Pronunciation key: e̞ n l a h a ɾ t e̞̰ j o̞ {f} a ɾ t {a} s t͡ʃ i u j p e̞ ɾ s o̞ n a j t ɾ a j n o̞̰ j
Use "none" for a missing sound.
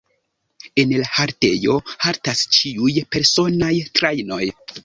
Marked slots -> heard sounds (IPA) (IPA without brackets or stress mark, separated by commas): h, a